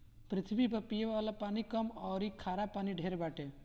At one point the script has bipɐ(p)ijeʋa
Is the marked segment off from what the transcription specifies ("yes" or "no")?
no